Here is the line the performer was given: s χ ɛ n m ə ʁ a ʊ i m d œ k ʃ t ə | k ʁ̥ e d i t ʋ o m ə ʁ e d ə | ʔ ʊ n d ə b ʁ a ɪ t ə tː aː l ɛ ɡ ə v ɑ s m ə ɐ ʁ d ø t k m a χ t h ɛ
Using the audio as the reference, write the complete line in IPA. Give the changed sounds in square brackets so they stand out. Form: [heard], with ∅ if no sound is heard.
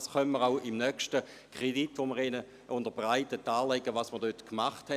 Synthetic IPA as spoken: s χ [œ] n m ə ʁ a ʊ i m [n] œ k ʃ t ə | k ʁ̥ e d i t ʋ o m ə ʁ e [n] ə | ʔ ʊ n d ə b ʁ a ɪ t ə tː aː l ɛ ɡ ə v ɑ s m ə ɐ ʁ d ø t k m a χ t h ɛ